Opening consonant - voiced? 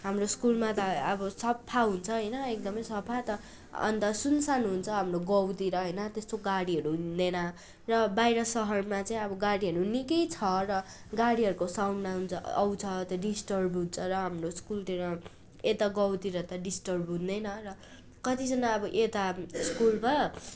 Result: yes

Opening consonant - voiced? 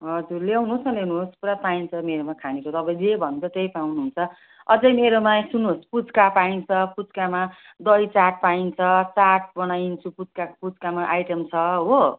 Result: yes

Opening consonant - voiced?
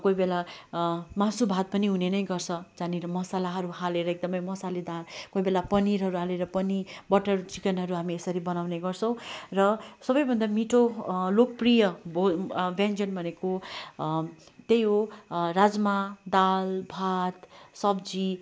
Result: no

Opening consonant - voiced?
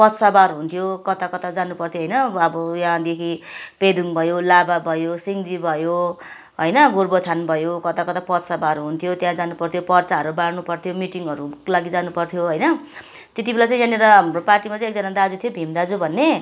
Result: no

